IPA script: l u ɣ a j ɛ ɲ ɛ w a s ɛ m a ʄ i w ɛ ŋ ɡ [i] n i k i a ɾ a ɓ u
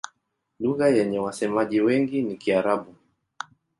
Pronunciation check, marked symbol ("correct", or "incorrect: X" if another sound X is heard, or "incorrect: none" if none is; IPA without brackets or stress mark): correct